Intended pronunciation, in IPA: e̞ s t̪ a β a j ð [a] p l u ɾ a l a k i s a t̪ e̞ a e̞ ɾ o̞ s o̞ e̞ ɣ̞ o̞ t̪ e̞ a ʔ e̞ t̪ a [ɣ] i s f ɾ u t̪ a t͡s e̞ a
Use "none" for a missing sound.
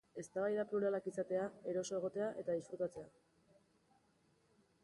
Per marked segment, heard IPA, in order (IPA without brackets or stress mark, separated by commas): a, ð